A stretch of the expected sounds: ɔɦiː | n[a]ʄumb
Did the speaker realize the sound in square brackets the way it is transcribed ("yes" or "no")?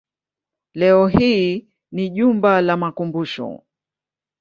no